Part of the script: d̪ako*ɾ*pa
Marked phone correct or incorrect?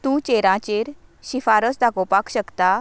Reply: incorrect